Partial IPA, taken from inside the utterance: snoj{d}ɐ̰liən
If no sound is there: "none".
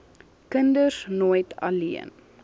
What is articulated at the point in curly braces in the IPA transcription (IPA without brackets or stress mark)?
t